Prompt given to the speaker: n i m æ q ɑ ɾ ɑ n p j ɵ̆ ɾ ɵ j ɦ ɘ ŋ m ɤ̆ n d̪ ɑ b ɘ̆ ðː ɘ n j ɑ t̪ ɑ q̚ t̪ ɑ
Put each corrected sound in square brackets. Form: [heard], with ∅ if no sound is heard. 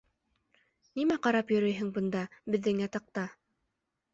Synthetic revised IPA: n i m æ q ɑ ɾ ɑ [∅] p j ɵ̆ ɾ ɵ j ɦ ɘ ŋ [b] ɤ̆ n d̪ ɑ b ɘ̆ ðː ɘ [ŋ] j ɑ t̪ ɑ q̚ t̪ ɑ